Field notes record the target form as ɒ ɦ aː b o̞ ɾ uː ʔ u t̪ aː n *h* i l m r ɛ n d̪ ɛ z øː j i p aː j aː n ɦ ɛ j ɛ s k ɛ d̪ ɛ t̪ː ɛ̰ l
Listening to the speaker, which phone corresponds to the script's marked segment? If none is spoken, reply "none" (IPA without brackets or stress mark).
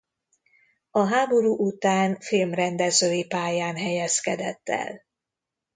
f